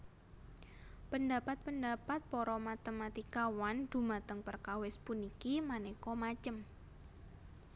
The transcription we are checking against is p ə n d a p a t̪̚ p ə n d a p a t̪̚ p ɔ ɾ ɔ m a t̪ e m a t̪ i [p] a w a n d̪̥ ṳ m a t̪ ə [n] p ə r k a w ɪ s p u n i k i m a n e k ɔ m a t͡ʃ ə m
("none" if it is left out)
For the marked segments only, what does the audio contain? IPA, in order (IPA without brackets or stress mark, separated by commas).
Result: k, ŋ